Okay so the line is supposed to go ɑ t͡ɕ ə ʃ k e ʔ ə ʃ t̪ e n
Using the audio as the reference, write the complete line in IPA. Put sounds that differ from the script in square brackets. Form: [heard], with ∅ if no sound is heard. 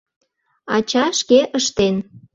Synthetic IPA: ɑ t͡ɕ [ɑ] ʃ k e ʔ ə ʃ t̪ e n